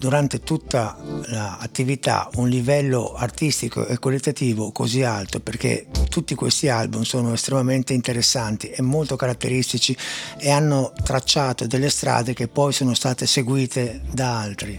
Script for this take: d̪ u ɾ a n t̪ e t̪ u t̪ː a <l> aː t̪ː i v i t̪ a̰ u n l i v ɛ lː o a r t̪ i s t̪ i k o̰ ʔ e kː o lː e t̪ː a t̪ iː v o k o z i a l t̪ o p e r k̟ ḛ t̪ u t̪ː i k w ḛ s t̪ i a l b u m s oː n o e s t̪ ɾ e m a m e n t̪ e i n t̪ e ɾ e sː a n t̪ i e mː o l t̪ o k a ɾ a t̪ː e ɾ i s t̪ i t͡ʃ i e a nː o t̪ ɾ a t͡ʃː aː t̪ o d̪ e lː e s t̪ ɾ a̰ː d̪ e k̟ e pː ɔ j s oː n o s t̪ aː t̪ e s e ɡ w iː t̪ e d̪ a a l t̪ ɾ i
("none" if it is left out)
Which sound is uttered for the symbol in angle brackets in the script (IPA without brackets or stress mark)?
l